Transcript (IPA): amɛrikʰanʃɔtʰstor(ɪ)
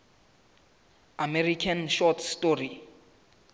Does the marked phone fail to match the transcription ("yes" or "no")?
yes